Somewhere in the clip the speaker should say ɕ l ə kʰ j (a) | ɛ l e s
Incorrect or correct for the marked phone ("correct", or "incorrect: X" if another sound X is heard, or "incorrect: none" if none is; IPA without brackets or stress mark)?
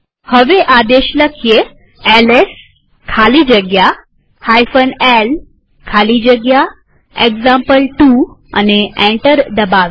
incorrect: e